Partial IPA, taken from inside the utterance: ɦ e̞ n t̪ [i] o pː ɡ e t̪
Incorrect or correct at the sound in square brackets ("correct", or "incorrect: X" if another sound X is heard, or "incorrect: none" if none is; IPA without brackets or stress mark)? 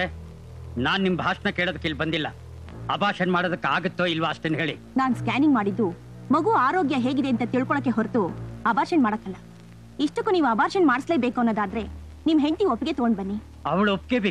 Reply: correct